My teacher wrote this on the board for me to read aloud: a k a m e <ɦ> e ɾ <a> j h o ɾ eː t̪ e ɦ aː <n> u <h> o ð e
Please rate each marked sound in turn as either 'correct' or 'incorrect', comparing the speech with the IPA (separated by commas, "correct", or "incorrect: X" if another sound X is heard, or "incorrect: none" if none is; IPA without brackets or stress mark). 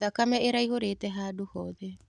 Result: incorrect: none, correct, incorrect: d, correct